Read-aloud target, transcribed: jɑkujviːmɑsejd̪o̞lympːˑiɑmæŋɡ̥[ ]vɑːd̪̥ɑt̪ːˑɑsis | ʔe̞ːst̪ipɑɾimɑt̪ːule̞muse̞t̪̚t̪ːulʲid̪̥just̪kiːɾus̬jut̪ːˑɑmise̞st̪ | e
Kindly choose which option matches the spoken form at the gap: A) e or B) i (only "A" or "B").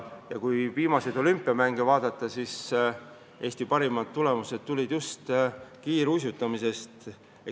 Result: A